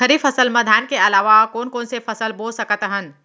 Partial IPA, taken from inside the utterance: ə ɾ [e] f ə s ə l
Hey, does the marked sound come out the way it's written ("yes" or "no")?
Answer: no